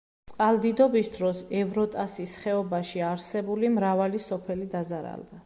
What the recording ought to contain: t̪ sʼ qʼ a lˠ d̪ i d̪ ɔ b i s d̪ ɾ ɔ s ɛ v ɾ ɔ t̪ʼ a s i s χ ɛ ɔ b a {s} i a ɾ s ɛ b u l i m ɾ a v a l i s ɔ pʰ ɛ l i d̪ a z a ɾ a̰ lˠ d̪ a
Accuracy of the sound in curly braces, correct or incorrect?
incorrect